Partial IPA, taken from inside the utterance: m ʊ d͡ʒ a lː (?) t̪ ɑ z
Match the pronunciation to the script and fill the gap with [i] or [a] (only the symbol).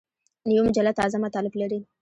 a